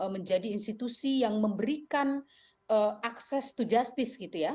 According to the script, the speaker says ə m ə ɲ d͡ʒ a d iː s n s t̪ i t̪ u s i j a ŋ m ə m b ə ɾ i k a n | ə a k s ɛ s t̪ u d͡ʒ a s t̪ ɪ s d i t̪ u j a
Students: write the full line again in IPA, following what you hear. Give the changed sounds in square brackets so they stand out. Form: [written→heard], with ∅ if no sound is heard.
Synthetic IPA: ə m ə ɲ d͡ʒ a d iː [s→∅] n s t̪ i t̪ u s i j a ŋ m ə m b ə ɾ i k a n | ə a k s ɛ s t̪ u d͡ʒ a s t̪ ɪ s [d→ɡ] i t̪ u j a